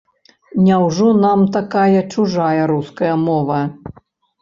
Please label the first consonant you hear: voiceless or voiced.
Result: voiced